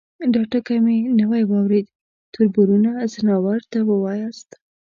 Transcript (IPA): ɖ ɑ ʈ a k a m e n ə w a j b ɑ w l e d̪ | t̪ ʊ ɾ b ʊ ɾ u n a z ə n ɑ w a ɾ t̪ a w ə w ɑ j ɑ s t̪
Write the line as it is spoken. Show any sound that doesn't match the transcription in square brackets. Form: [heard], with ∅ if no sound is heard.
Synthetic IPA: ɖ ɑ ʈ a k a m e n ə w a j [w] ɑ w [ɾ] e d̪ | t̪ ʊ ɾ b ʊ ɾ u n a z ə n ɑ w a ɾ t̪ a w ə w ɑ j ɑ s t̪